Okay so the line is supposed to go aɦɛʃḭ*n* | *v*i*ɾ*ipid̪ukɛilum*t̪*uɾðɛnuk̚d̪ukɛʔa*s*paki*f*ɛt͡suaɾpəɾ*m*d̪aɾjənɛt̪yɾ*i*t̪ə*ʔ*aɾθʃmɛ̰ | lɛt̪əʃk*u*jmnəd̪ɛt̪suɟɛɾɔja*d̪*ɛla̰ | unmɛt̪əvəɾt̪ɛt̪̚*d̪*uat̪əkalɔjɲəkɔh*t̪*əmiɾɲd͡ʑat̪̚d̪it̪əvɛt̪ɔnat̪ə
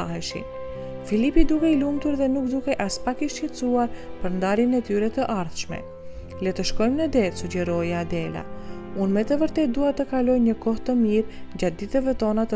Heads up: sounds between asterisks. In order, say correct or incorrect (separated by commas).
correct, incorrect, incorrect, correct, correct, incorrect, incorrect, incorrect, correct, incorrect, correct, correct, correct